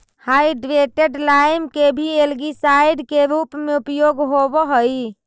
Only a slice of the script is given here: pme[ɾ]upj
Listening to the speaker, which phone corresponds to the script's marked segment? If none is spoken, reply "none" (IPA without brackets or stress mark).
none